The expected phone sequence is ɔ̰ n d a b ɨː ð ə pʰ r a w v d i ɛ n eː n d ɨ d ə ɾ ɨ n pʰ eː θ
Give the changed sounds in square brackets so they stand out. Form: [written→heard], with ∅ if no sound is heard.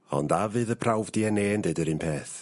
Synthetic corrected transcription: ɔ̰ n d a [b→v] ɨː ð ə pʰ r a w v d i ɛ n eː n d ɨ d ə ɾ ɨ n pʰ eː θ